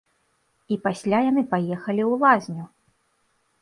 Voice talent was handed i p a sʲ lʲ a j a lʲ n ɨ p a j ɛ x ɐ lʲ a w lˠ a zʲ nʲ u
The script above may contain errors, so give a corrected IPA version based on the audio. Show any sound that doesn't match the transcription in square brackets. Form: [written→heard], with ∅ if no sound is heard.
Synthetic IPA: i p a sʲ lʲ a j a [lʲ→∅] n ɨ p a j ɛ x ɐ lʲ [a→i] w lˠ a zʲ nʲ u